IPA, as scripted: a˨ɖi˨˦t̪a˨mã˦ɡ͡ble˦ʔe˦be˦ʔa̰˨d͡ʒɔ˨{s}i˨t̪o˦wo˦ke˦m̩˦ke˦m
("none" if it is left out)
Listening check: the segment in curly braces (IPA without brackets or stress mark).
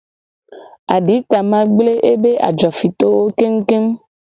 f